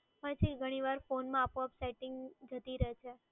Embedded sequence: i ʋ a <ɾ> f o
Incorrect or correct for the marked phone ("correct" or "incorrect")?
correct